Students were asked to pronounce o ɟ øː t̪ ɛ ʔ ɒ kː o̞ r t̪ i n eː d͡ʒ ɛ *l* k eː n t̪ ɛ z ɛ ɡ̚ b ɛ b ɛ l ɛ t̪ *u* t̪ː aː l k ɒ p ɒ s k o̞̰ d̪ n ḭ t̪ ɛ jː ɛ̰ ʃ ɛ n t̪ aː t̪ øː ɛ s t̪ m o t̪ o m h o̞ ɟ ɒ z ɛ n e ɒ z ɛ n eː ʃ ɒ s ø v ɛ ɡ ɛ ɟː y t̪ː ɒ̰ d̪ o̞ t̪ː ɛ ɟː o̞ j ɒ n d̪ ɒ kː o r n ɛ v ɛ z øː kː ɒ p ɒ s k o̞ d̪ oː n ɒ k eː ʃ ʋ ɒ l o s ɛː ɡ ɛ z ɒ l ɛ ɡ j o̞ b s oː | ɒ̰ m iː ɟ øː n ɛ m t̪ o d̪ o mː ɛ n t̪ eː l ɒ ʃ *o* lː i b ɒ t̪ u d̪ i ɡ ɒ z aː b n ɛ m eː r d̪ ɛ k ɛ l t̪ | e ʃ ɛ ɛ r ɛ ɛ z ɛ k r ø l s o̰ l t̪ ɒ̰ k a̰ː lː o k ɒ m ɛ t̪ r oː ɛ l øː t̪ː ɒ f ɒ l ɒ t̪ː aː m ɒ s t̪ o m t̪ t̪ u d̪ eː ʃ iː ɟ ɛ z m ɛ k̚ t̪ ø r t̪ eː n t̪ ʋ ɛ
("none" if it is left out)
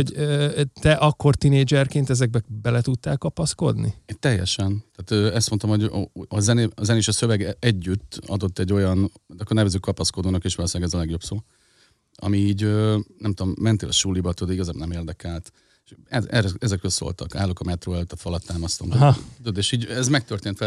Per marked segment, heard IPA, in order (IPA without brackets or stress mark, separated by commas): r, u, u